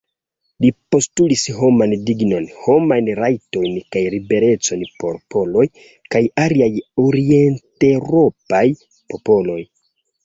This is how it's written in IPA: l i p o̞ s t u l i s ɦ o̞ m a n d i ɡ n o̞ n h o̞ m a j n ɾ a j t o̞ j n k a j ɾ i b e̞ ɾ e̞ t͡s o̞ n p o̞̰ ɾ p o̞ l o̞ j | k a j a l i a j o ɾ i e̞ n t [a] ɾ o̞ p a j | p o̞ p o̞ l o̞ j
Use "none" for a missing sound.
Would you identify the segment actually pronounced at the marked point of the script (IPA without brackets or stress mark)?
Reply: e